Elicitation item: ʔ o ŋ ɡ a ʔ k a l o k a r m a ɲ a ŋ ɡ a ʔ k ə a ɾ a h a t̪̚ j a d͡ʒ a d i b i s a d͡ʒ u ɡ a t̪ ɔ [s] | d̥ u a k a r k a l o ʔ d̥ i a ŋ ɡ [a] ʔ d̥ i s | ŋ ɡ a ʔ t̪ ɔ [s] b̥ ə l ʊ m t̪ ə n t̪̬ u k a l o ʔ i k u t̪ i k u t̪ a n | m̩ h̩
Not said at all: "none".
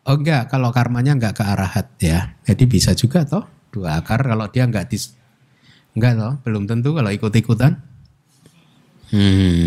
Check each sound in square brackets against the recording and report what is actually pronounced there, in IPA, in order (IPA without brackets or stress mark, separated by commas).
h, a, h